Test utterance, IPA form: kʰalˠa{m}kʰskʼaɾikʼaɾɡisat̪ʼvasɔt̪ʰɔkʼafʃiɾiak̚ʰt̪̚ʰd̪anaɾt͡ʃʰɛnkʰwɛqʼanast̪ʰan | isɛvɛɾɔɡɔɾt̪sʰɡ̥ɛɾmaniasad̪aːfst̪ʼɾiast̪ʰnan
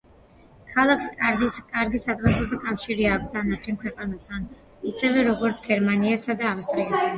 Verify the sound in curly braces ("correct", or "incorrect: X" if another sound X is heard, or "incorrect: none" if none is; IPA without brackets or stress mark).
incorrect: none